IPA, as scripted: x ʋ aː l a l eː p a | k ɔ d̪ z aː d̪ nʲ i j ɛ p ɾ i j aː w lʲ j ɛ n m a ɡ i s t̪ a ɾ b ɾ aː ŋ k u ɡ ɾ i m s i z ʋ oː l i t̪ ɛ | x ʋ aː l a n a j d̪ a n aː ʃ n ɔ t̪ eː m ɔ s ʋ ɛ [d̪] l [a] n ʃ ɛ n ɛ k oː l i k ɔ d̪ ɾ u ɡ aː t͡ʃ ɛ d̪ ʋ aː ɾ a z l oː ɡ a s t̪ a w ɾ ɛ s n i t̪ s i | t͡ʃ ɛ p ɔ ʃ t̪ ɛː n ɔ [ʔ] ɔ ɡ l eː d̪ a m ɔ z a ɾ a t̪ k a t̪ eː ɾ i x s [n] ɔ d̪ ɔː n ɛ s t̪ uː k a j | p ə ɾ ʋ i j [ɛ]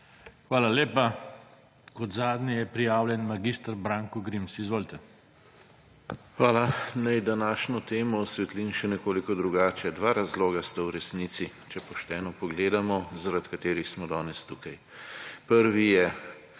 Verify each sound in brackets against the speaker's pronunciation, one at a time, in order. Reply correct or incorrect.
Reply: incorrect: t̪, incorrect: i, incorrect: p, incorrect: m, correct

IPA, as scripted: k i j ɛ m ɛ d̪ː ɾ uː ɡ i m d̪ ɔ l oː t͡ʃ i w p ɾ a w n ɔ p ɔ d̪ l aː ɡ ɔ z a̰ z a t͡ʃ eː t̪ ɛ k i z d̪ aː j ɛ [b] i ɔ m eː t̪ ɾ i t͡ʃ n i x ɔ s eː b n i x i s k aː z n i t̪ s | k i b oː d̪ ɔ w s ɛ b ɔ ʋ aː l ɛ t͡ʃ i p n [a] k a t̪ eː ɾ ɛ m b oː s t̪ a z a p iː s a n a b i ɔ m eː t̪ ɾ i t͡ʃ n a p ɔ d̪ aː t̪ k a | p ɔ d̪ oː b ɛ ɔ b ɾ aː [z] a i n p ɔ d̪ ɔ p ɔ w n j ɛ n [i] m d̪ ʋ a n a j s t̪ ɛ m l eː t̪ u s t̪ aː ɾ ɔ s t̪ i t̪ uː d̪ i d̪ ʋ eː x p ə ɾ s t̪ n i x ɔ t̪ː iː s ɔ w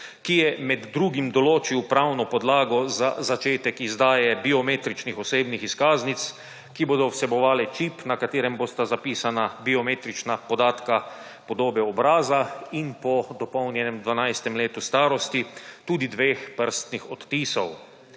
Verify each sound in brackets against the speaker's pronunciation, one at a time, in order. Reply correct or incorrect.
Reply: correct, correct, correct, incorrect: ɛ

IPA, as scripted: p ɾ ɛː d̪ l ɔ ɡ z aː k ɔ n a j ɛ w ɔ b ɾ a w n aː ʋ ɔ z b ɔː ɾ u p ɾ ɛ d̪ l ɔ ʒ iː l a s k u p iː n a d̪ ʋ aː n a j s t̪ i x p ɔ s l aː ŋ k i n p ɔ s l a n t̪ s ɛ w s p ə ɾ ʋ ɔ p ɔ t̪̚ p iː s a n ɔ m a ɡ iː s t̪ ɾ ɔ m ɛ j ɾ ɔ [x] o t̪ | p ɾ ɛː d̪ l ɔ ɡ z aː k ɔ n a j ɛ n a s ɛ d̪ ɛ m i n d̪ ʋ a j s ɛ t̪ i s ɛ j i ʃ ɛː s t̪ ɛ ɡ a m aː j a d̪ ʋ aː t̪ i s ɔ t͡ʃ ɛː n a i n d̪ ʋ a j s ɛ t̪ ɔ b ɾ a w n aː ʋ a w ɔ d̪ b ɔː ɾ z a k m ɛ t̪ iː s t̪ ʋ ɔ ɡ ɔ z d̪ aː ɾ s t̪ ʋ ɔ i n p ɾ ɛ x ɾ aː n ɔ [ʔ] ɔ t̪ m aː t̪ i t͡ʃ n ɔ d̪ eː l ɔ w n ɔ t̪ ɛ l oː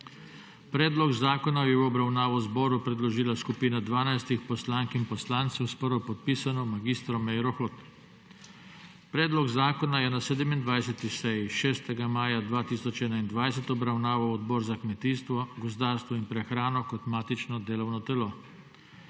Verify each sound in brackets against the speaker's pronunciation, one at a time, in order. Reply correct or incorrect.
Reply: correct, incorrect: k

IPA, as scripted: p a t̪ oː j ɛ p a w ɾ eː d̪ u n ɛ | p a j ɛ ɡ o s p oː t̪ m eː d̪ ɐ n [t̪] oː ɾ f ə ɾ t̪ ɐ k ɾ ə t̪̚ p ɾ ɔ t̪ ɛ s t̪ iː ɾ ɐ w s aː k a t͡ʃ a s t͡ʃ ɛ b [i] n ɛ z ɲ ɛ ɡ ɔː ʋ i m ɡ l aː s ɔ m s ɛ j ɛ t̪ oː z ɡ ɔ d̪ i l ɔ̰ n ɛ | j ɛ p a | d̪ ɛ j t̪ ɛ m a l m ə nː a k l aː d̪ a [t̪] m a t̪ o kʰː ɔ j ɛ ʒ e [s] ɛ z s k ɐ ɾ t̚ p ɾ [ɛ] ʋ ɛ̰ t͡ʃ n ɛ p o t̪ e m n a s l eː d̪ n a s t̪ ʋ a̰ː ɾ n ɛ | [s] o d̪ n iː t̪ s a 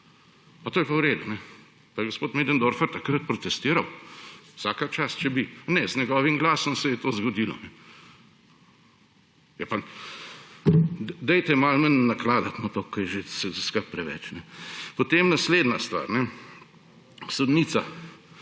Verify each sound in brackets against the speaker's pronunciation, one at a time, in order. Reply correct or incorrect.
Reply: incorrect: d̪, correct, correct, correct, correct, correct

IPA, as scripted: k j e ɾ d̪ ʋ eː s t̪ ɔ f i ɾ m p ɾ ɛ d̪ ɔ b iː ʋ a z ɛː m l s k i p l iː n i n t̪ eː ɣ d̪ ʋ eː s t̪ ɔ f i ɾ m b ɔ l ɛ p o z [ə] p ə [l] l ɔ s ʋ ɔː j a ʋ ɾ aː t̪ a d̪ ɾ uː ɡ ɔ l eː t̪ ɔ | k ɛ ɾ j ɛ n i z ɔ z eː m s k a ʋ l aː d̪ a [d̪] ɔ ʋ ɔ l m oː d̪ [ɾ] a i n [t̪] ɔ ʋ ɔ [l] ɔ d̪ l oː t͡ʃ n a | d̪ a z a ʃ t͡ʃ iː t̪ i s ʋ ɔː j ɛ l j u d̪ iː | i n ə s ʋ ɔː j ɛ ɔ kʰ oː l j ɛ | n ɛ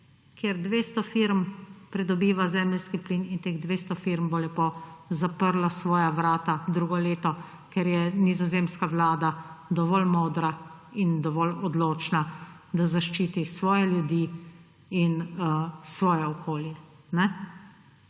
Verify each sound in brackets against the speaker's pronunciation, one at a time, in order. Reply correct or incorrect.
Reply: incorrect: a, incorrect: ɾ, correct, correct, incorrect: d̪, correct

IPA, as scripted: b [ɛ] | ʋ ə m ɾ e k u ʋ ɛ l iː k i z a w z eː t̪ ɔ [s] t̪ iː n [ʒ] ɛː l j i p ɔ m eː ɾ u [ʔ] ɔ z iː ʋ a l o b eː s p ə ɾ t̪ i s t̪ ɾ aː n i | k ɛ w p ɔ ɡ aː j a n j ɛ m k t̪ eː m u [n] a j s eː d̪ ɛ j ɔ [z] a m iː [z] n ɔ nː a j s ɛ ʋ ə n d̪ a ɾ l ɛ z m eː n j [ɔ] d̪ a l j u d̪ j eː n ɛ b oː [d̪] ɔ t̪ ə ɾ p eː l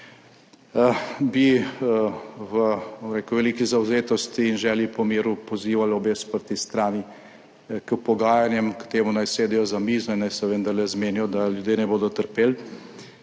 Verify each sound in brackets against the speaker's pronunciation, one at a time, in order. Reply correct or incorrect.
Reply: incorrect: i, correct, correct, incorrect: p, correct, correct, correct, correct, correct

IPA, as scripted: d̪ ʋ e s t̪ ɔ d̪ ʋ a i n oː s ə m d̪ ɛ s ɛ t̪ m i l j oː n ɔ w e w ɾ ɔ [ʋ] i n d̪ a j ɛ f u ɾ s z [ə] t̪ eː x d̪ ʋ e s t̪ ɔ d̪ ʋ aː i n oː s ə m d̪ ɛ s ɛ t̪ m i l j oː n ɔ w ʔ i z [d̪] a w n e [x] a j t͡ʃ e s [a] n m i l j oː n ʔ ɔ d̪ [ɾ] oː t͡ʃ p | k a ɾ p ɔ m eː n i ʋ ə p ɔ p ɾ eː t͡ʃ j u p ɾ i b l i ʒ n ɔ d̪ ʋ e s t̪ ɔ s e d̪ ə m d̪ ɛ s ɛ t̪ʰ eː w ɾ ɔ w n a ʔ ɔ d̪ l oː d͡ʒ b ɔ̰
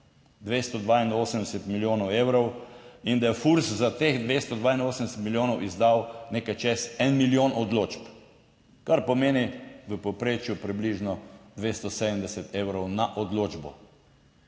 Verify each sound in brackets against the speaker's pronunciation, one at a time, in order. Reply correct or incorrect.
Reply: incorrect: w, incorrect: a, correct, incorrect: k, incorrect: ɛ, incorrect: l

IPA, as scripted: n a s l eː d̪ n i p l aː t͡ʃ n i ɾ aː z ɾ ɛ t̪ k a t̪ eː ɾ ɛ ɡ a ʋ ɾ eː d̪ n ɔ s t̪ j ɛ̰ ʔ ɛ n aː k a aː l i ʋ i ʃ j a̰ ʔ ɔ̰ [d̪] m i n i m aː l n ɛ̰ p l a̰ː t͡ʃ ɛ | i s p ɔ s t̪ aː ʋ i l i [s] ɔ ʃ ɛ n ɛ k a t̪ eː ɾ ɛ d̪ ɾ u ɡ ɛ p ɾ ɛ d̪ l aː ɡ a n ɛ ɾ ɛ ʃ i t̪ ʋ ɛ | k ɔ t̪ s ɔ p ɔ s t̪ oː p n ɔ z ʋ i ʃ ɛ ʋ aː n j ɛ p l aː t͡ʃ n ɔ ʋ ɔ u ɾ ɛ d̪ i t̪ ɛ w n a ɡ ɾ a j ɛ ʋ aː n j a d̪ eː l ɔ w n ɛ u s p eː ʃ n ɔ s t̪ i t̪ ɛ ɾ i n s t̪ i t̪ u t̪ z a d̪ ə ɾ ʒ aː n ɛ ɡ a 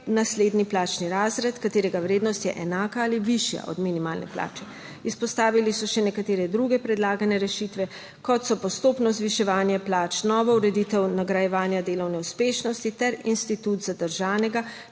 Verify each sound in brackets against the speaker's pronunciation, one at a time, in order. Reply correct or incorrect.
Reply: correct, correct

